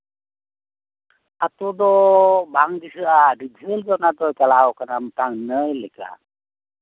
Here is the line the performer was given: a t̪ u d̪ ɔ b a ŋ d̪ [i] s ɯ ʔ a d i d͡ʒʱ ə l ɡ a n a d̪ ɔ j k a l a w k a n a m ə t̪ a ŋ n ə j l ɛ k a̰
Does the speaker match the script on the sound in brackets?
yes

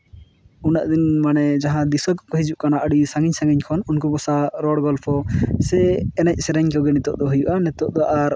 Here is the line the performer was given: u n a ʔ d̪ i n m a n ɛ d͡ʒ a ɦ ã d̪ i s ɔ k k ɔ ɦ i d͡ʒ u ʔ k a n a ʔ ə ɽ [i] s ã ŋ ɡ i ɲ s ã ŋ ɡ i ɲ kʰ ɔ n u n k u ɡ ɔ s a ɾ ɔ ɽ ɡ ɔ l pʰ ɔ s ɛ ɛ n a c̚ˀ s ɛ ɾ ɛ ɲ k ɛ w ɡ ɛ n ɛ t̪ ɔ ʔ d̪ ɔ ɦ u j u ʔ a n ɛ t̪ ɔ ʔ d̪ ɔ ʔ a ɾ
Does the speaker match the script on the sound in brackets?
yes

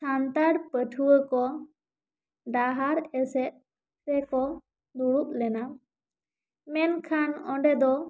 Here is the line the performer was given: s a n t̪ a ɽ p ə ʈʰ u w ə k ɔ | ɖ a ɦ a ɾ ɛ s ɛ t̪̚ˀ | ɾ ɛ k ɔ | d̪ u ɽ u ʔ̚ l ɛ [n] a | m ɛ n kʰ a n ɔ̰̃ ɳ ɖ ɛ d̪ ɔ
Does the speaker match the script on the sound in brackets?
yes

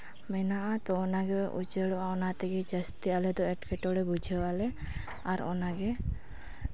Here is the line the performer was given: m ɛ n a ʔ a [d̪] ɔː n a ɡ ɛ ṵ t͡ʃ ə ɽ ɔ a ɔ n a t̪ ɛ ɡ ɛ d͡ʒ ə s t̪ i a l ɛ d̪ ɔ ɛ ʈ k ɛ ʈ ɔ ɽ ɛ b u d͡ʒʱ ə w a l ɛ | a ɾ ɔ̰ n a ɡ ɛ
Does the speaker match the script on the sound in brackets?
no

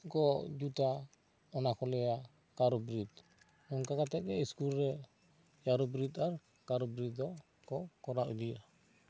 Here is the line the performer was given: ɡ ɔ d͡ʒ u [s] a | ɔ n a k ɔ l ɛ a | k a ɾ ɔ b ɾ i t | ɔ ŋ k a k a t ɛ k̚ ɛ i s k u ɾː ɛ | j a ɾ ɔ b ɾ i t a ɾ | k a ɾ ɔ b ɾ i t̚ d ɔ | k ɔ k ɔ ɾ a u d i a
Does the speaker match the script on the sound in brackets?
no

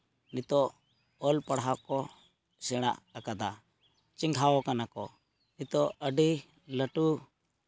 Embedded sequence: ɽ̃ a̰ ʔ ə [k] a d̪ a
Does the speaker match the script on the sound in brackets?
yes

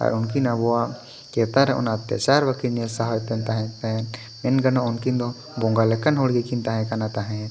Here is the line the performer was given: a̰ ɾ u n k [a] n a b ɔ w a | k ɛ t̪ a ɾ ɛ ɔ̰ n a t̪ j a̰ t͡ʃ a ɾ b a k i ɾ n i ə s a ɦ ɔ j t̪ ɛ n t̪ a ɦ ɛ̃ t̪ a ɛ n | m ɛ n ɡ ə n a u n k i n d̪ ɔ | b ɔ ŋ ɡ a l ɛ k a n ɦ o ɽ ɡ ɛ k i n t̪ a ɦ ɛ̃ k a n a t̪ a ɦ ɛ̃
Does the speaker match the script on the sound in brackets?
no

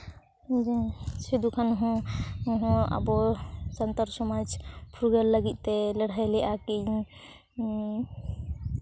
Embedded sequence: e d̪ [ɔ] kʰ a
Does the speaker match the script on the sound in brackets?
no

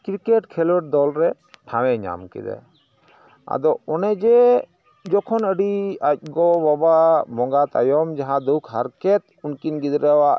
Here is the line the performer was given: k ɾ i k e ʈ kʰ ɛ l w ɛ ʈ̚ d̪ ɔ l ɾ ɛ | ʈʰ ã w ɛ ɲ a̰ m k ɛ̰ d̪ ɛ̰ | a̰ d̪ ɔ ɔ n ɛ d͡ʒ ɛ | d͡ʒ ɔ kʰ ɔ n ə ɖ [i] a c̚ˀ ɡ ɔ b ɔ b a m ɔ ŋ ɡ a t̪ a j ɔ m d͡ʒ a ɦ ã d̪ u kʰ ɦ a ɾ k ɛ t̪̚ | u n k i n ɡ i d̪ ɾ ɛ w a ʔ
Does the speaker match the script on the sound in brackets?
yes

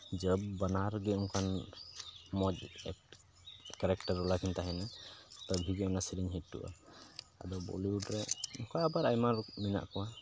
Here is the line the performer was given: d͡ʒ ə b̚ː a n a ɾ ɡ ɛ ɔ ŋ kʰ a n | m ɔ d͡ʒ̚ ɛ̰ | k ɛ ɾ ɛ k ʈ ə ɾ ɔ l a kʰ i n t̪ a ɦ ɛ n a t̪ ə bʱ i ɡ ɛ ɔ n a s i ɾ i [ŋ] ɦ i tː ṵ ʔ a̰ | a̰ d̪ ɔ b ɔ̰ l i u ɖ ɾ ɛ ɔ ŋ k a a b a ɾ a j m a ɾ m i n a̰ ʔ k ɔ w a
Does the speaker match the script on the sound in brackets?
no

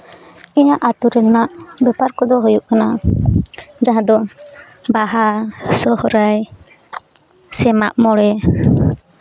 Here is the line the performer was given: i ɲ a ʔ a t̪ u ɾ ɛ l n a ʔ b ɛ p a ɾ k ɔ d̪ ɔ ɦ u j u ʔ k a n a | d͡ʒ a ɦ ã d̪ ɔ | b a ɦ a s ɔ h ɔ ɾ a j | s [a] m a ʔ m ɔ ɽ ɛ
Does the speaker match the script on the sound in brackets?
no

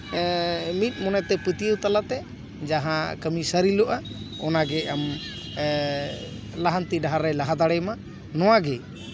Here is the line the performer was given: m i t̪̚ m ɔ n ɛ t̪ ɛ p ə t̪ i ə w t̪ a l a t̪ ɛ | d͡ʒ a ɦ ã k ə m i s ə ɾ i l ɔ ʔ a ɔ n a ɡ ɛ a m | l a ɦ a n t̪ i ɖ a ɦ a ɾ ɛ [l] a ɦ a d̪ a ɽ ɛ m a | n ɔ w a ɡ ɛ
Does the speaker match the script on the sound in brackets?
yes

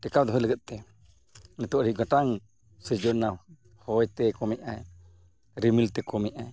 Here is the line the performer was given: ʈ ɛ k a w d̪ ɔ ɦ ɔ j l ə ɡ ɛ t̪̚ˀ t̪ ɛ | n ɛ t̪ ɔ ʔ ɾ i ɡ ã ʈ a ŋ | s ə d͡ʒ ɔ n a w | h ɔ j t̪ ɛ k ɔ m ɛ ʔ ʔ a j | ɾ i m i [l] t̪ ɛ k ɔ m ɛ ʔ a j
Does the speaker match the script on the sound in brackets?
yes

